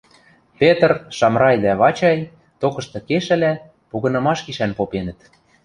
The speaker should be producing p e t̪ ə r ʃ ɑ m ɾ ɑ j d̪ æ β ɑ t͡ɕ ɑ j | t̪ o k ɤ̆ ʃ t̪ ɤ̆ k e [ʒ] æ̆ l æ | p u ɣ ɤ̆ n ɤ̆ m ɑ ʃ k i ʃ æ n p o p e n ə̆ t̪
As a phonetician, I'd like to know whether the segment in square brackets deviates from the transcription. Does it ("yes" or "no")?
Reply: yes